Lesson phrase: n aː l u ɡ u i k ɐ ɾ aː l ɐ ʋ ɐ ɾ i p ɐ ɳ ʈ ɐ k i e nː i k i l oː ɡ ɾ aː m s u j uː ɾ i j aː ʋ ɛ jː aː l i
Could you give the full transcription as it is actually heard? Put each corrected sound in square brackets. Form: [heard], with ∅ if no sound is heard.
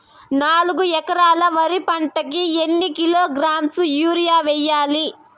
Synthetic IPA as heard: n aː l u ɡ u [ɛ] k ɐ ɾ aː l ɐ ʋ ɐ ɾ i p ɐ ɳ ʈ ɐ k i e nː i k i l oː ɡ ɾ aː m s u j uː ɾ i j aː ʋ ɛ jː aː l i